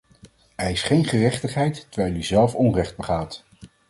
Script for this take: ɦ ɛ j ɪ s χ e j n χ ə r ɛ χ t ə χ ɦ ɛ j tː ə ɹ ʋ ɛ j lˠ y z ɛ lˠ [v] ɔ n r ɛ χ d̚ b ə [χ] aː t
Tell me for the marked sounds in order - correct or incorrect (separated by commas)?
incorrect, correct